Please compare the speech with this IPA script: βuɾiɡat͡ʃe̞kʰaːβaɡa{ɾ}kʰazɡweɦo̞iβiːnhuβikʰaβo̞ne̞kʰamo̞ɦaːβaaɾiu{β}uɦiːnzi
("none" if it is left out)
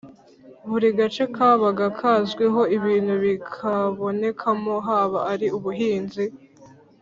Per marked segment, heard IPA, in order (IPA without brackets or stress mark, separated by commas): none, β